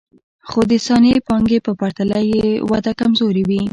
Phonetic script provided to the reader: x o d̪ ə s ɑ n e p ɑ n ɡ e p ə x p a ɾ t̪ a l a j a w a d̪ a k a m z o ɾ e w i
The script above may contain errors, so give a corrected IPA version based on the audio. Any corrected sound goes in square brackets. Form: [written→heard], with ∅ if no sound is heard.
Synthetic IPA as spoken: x o d̪ ə s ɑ n e p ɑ [n→ŋ] ɡ e p ə [x→∅] p a ɾ t̪ a l a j [a→e] w a d̪ a k a m z o ɾ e w i